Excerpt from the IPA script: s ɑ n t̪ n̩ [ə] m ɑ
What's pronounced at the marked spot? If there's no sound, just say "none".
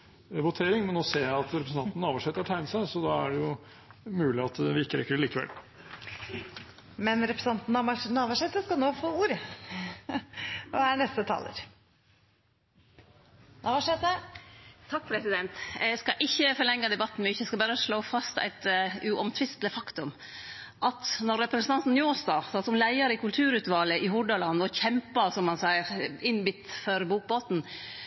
ɑ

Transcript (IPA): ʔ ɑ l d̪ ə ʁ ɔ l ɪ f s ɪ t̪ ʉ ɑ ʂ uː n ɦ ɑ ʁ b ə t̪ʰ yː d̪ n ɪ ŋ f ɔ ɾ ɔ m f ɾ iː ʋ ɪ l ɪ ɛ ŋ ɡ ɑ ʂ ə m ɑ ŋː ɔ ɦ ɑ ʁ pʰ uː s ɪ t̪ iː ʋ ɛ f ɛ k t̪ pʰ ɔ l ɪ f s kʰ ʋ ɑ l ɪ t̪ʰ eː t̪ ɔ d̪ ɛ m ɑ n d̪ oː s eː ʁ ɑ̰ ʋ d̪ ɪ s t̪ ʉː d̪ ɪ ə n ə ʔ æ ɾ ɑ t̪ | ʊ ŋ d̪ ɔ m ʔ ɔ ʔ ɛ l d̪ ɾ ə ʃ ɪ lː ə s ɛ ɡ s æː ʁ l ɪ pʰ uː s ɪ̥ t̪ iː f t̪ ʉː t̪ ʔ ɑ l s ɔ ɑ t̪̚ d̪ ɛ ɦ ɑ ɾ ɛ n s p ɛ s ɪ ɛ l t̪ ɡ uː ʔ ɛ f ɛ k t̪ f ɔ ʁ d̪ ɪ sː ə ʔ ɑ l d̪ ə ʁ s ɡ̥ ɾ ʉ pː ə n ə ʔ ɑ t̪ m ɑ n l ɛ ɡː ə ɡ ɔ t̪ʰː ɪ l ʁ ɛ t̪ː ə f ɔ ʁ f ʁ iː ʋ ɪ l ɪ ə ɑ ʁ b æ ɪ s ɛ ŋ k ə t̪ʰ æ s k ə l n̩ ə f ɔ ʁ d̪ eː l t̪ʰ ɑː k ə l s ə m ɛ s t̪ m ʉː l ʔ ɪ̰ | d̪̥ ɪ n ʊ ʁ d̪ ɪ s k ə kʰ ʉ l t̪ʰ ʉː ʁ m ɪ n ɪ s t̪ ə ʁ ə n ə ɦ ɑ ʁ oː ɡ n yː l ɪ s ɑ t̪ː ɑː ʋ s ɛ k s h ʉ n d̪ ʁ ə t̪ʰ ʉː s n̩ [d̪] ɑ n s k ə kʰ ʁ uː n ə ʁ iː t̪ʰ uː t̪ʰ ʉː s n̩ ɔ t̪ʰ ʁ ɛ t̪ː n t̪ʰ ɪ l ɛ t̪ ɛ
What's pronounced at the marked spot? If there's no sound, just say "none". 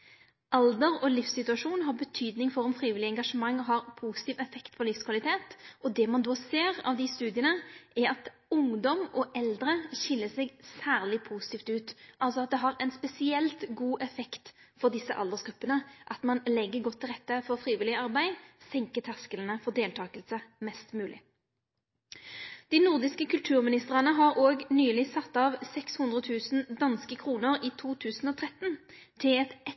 d̪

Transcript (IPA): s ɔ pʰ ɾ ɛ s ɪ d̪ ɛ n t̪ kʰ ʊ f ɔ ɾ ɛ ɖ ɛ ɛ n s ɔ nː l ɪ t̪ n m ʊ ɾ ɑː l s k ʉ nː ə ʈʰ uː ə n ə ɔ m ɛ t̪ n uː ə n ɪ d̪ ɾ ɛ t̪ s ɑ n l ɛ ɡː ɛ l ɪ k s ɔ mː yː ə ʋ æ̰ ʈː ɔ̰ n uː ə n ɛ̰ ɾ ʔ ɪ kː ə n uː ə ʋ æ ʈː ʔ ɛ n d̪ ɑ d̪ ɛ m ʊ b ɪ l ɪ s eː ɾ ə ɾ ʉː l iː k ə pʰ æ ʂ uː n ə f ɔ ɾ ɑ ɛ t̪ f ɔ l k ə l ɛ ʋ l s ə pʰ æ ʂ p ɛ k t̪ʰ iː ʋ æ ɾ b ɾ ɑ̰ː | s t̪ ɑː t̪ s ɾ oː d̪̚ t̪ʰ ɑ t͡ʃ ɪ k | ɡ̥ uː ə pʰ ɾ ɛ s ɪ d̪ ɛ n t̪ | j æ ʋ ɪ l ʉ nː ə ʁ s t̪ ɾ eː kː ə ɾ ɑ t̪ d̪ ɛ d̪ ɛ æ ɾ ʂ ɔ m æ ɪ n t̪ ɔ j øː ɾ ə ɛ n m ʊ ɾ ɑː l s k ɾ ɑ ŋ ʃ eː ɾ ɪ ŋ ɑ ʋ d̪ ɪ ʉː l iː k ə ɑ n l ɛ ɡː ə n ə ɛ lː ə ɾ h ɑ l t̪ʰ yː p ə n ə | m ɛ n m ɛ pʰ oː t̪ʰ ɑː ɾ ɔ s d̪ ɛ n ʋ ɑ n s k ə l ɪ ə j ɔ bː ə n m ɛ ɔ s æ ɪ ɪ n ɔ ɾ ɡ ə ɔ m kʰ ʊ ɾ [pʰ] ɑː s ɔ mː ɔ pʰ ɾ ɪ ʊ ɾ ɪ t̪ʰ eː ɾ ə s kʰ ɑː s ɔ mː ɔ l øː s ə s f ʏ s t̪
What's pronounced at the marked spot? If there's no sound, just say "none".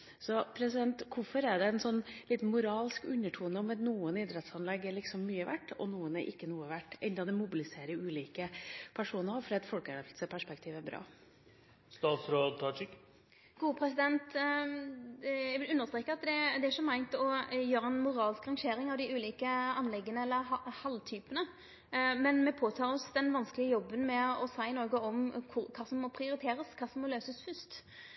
kʰ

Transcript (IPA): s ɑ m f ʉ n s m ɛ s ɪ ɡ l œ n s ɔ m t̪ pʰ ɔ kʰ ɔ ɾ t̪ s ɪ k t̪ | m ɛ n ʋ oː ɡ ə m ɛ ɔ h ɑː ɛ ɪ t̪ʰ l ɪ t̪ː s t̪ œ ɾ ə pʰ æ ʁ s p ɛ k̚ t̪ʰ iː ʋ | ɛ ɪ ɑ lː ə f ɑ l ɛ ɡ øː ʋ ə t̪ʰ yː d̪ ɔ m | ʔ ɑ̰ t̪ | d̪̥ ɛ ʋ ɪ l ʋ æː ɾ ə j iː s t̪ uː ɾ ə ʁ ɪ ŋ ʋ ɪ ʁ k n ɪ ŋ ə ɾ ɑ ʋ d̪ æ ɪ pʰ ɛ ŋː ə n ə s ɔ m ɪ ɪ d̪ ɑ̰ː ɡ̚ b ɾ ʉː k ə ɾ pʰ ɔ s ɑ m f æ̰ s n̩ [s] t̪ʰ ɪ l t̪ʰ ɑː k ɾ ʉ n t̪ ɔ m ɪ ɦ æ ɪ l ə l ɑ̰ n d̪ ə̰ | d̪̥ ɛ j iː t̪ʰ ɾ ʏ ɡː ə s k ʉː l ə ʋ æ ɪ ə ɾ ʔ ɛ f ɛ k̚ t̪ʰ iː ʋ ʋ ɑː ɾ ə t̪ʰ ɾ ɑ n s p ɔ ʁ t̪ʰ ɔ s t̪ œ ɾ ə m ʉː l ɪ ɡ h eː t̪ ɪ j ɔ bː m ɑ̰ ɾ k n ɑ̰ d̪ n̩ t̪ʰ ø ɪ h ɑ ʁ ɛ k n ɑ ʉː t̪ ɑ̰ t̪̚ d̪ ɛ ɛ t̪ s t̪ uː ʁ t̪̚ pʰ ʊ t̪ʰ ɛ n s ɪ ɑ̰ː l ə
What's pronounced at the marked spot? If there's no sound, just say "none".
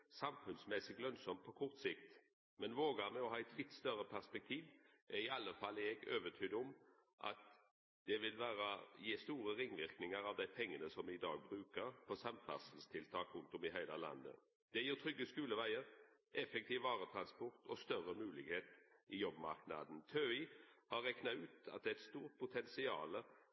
s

